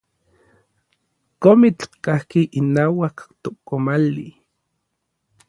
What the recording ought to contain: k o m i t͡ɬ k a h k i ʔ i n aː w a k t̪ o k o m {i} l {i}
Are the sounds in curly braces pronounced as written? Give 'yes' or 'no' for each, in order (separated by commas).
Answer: no, yes